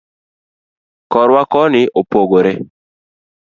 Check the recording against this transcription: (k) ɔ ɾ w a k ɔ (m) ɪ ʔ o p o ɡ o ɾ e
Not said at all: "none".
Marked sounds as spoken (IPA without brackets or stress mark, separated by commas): k, n